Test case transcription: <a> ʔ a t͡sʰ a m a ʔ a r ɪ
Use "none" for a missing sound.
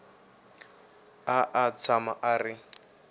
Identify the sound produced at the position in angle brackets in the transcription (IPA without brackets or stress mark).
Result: a